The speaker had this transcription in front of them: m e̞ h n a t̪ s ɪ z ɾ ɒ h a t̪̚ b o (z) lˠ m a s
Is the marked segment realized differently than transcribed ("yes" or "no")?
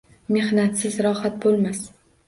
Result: yes